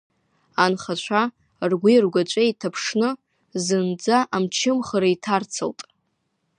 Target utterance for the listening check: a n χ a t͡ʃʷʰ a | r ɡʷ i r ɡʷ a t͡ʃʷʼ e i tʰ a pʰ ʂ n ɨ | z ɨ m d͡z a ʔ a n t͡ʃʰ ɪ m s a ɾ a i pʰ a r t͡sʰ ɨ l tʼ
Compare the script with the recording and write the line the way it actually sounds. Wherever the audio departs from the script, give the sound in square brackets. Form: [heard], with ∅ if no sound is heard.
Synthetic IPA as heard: a n χ a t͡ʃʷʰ a | r ɡʷ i r ɡʷ a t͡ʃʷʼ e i tʰ a pʰ ʂ n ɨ | z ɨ [n] d͡z a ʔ a [m] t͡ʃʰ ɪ m [χ] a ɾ a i [tʰ] a r t͡sʰ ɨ l tʼ